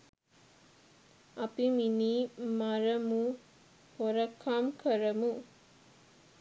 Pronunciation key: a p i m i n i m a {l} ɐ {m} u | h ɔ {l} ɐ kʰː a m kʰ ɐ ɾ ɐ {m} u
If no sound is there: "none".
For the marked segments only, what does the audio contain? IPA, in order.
ɾ, m, ɾ, m

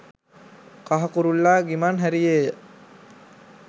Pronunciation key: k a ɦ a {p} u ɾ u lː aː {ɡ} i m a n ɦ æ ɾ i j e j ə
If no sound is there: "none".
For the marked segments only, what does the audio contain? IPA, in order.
k, ɡ

